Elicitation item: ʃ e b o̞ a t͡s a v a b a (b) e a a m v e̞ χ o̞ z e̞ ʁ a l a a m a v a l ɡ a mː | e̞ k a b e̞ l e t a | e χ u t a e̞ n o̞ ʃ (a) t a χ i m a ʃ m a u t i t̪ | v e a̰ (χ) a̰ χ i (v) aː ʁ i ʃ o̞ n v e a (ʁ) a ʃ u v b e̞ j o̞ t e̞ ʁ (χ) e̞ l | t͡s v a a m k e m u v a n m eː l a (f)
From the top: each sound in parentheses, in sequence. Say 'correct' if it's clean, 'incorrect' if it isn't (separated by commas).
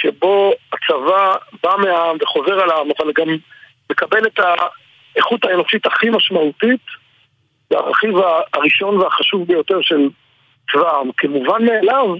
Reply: incorrect, incorrect, incorrect, correct, incorrect, incorrect, incorrect